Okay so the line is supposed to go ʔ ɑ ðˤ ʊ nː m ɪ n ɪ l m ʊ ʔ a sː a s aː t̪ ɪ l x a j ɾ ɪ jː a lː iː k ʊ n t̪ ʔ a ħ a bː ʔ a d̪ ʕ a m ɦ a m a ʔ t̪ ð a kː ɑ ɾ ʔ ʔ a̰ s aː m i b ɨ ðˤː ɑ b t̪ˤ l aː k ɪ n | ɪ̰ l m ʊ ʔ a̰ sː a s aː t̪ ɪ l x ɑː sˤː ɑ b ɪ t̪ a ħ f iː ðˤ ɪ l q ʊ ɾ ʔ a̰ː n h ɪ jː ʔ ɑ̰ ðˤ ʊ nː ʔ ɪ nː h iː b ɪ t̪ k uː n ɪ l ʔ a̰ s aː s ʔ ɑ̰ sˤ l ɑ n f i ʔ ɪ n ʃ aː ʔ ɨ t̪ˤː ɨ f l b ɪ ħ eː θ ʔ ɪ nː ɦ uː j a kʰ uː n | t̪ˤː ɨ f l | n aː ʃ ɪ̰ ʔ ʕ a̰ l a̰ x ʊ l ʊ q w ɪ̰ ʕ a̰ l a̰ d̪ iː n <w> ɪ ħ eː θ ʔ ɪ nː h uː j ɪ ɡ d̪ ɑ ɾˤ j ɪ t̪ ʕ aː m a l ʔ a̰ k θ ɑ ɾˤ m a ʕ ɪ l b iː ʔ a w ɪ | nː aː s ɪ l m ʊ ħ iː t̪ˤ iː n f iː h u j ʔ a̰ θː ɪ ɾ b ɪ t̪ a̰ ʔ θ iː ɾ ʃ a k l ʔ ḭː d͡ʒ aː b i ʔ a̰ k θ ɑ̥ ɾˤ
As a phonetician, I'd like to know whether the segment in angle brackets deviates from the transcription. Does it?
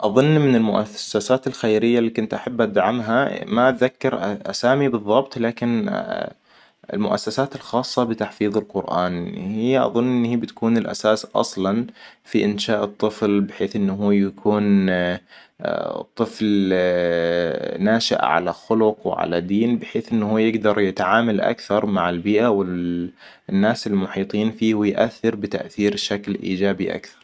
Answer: yes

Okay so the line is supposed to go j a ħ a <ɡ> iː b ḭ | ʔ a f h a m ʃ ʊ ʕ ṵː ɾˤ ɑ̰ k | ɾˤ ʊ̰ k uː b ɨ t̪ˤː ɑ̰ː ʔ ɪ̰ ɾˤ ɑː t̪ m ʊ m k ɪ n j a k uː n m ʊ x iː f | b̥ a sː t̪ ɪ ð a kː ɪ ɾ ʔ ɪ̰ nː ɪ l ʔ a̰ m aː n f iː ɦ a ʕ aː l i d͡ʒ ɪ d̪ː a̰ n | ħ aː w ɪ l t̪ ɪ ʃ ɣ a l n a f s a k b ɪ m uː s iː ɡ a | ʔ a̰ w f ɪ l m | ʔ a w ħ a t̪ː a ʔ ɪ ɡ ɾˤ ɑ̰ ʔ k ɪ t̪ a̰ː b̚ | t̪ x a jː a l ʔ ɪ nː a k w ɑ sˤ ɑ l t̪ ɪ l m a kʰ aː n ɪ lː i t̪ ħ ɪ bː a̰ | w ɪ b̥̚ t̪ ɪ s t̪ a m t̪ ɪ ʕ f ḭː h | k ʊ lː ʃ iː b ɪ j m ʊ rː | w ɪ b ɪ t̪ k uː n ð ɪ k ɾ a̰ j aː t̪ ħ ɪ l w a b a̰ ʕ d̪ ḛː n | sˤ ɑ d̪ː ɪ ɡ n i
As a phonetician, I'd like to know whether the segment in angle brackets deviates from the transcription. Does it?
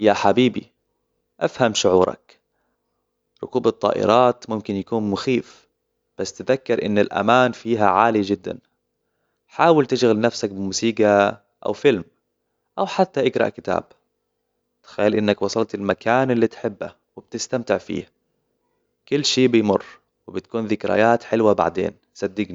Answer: yes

